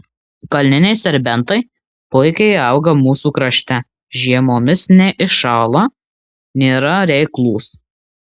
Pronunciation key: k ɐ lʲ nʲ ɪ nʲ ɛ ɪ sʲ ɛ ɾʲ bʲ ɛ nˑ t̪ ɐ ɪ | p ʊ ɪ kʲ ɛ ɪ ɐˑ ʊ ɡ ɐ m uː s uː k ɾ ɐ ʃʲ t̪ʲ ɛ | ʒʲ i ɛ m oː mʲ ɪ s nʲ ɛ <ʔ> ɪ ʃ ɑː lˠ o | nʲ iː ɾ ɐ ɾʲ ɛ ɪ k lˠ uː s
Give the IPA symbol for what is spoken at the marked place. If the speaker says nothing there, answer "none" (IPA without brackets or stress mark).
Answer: ʔ